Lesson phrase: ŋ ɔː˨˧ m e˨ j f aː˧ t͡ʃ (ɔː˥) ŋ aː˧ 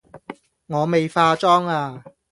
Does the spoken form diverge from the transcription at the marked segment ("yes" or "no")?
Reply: no